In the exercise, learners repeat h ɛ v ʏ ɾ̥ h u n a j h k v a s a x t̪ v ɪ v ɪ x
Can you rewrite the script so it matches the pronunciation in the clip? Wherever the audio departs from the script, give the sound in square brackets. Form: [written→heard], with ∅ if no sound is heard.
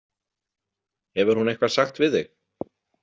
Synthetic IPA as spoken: h ɛ v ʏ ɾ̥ h u n [a→e] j h k v a s a x t̪ v ɪ [v→ð] ɪ x